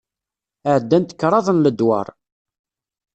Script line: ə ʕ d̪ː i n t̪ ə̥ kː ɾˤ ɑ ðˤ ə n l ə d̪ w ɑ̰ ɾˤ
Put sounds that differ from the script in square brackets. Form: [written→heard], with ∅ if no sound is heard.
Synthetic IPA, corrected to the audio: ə ʕ d̪ː [i→æ] n t̪ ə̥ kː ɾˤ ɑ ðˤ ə n l ə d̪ w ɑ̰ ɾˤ

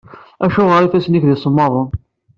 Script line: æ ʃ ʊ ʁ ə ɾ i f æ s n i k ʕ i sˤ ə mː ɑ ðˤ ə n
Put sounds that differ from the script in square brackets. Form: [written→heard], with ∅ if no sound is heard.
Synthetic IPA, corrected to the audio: æ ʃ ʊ ʁ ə ɾ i f æ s n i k [ʕ→ð] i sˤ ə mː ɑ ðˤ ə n

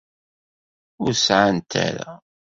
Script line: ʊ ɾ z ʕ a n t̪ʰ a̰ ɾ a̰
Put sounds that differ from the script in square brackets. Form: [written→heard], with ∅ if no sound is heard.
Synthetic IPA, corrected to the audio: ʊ ɾ [z→s] ʕ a n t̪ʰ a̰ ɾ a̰

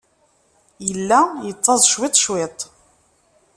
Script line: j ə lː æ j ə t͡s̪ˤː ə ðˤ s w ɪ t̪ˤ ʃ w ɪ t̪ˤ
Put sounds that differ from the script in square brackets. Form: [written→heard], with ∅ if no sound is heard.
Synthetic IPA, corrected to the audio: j ə lː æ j ə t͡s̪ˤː [ə→ɑ] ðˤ [s→ʃ] w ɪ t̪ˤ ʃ w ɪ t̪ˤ

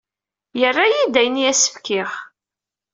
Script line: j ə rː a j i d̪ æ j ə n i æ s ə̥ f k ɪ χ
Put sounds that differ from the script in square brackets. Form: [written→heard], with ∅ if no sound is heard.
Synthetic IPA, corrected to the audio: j ə rː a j i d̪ æ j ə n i æ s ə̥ f k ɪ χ

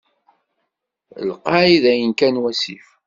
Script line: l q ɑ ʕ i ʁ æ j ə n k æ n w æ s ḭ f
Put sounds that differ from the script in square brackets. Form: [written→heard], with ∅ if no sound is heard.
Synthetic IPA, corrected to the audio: l q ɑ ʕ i [ʁ→ð] æ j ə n k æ n w æ s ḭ f

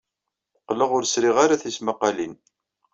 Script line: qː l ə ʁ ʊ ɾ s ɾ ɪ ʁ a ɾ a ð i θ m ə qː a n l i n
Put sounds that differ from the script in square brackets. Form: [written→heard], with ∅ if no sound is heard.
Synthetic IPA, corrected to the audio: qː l ə ʁ ʊ ɾ s ɾ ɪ ʁ a ɾ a [ð→θ] i [θ→s] m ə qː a [n→∅] l i n

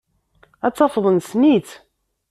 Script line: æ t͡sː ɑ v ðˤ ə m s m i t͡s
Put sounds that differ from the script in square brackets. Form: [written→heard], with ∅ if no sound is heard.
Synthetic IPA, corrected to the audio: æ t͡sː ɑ [v→f] ðˤ ə [m→n] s [m→n] i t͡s

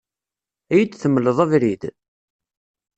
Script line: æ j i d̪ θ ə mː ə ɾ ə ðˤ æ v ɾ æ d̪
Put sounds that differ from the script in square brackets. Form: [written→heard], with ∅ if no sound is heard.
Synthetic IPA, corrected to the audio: æ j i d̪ θ ə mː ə [ɾ→l] ə ðˤ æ v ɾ [æ→i] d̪

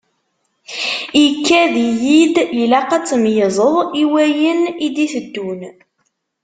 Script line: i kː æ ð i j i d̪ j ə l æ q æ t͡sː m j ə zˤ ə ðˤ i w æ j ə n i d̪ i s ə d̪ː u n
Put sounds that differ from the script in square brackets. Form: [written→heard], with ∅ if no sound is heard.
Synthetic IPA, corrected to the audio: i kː æ ð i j i d̪ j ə l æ q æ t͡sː m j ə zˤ ə ðˤ i w æ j ə n i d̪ i [s→θ] ə d̪ː u n

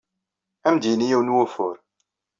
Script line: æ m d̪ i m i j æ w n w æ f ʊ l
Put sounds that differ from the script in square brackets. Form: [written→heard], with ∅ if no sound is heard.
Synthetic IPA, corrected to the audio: æ m d̪ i [m→n] i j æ w n w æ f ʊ [l→ɾ]

